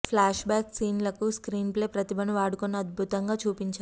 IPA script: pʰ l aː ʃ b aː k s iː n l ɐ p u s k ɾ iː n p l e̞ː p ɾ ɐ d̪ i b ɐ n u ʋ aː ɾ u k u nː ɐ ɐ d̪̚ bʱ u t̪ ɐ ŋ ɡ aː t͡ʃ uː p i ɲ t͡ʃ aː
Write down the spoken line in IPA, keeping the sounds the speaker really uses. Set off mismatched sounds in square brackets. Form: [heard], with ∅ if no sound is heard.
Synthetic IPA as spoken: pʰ l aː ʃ b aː k s iː n l ɐ [k] u s k ɾ iː n p l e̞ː p ɾ ɐ [t̪] i b ɐ n u ʋ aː [ɽ] u k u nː ɐ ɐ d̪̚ bʱ u t̪ ɐ ŋ ɡ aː t͡ʃ uː p i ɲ t͡ʃ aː